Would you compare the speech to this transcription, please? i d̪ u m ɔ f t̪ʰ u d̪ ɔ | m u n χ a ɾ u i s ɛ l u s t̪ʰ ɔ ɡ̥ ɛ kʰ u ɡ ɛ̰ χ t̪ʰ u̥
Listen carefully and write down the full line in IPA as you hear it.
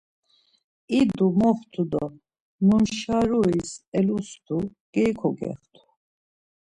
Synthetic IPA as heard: i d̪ u m ɔ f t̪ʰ u d̪ ɔ | m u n ʃ a ɾ u i s ɛ l u s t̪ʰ u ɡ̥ ɛ kʰ ɔ ɡ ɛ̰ χ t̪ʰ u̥

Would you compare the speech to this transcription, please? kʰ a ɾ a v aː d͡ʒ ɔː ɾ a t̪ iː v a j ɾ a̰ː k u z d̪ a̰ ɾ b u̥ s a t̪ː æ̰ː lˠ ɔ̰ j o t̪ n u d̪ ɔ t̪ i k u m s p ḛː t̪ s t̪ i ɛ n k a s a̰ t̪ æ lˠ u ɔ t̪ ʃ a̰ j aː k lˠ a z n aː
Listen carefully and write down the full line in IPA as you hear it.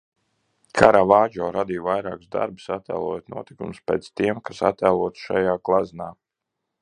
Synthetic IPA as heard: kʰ a ɾ a v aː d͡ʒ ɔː ɾ a d̪ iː v a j ɾ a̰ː k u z d̪ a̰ ɾ b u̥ s a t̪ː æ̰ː lˠ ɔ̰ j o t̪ n u ɔ t̪ i k u m s p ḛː t̪ s t̪ i ɛ m k a s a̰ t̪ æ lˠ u ɔ t̪ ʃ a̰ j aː k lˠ a z n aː

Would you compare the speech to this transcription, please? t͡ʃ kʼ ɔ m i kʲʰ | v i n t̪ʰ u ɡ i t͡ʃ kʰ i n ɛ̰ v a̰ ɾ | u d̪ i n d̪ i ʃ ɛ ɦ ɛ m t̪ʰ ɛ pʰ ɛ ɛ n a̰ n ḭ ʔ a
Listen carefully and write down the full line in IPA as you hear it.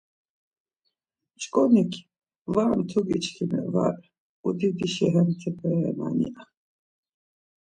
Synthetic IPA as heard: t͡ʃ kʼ ɔ n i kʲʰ | v a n t̪ʰ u ɡ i t͡ʃ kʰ i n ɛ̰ v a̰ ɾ | u d̪ i d̪ i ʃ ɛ ɦ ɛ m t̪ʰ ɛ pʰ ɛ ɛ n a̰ n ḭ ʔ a

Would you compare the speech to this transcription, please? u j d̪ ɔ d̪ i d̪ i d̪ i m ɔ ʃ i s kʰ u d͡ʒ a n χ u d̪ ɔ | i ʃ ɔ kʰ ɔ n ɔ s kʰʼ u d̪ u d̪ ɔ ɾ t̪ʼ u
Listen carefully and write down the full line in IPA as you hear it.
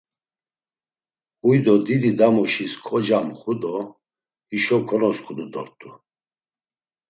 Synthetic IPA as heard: u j d̪ ɔ d̪ i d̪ i d̪ a m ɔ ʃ i s kʰ ɔ d͡ʒ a m χ u d̪ ɔ | i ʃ ɔ kʰ ɔ n ɔ s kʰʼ u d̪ u d̪ ɔ ɾ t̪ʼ u

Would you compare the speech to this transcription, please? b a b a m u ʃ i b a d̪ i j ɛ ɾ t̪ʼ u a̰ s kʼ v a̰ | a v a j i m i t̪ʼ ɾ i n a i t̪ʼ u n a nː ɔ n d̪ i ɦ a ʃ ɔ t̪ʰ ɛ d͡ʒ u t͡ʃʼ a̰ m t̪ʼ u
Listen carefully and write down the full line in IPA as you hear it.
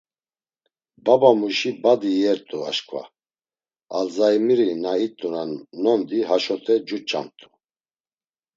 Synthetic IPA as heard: b a b a m u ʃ i b a d̪ i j ɛ ɾ t̪ʼ u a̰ ʃ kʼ v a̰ | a z a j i m i ɾ i n a i t̪ʼ u n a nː ɔ n d̪ i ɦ a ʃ ɔ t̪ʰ ɛ d͡ʒ u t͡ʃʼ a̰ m t̪ʼ u

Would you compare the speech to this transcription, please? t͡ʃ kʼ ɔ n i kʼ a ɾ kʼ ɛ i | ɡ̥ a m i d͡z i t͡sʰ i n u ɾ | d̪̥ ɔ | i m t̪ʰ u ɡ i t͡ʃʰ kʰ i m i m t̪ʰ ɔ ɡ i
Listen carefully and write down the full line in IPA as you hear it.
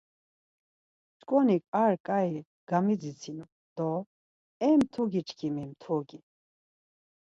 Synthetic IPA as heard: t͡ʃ kʼ ɔ n i kʼ a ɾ kʼ a i | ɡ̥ a m i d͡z i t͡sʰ i n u | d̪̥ ɔ | ɛ m t̪ʰ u ɡ i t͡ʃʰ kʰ i m i m t̪ʰ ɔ ɡ i

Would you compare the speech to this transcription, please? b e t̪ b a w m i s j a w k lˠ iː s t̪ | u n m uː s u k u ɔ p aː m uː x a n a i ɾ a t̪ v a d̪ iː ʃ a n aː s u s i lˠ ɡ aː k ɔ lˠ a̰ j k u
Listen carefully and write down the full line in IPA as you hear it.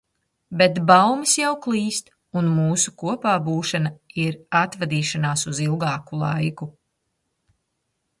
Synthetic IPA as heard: b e t̪ b a w m i s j a w k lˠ iː s t̪ | u n m uː s u k u ɔ p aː b uː ʃ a n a i ɾ a t̪ v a d̪ iː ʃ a n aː s u z i lˠ ɡ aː k u lˠ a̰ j k u

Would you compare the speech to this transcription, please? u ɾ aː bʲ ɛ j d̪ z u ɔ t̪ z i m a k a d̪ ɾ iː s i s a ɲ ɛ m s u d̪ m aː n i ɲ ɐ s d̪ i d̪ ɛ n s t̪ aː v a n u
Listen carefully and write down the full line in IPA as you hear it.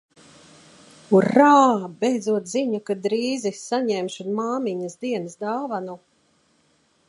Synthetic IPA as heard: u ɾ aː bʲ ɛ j d̪ z u ɔ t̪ z i ɲ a k a d̪ ɾ iː z i s a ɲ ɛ m ʃ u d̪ m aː m i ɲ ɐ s d̪ i ɛ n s d̪ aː v a n u

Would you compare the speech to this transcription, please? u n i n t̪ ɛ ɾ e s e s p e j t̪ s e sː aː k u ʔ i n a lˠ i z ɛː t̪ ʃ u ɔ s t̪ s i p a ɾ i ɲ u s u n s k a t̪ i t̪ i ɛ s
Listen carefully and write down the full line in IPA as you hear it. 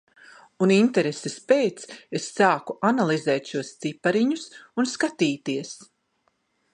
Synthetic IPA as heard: u n i n t̪ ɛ ɾ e s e s p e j t̪ s e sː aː k u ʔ a n a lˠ i z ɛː t̪ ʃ u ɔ s t̪ s i p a ɾ i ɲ u s u n s k a t̪ iː t̪ i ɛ s

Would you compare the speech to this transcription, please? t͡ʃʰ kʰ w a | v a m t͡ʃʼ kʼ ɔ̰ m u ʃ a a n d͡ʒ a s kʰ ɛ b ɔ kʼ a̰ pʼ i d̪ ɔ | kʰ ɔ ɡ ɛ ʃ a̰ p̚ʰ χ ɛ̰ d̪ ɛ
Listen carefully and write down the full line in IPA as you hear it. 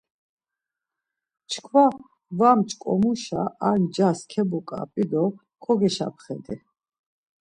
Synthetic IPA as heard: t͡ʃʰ kʰ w a | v a m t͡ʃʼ kʼ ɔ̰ m u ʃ a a n d͡ʒ a s kʰ ɛ b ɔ kʼ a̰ pʼ i d̪ ɔ | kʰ ɔ ɡ ɛ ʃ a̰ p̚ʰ χ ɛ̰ d̪ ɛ

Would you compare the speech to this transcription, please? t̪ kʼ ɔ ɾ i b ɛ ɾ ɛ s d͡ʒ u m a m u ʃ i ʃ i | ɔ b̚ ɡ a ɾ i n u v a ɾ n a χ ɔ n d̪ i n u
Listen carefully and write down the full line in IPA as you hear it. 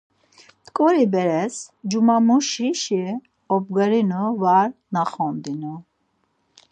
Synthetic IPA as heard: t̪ kʼ ɔ ɾ i b ɛ ɾ ɛ s d͡ʒ u m a m u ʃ i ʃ i | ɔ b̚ ɡ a ɾ i n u v a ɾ n a χ ɔ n d̪ i n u

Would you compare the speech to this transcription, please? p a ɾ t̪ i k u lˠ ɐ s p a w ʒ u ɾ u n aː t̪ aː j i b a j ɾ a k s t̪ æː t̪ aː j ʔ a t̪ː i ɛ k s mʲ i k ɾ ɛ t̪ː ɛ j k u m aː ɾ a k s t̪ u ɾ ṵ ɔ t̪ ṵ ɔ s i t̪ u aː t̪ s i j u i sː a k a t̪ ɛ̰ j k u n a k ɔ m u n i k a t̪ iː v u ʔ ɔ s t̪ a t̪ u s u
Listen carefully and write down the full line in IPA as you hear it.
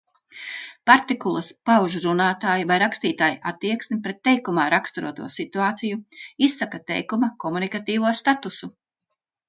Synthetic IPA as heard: p a ɾ t̪ i k u lˠ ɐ s p a w ʒ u ɾ u n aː t̪ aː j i v a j ɾ a k s t̪ iː t̪ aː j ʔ a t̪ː i ɛ k s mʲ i p ɾ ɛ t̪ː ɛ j k u m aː ɾ a k s t̪ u ɾ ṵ ɔ t̪ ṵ ɔ s i t̪ u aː t̪ s i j u i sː a k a t̪ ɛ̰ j k u m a k ɔ m u n i k a t̪ iː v u ɔ s t̪ a t̪ u s u

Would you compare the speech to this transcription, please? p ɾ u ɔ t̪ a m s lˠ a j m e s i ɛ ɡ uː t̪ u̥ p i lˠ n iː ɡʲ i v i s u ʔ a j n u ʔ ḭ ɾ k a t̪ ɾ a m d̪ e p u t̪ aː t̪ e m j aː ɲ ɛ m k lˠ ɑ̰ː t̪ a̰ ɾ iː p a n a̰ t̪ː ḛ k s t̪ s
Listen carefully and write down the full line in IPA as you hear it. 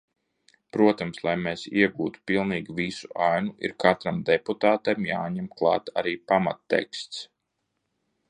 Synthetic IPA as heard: p ɾ u ɔ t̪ a m s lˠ a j m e s i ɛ ɡ uː t̪ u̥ p i lˠ n iː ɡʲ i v i s u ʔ a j n u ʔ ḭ ɾ k a t̪ ɾ a m d̪ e p u t̪ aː t̪ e m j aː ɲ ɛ m k lˠ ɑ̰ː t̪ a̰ ɾ iː p a m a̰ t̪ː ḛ k s t̪ s

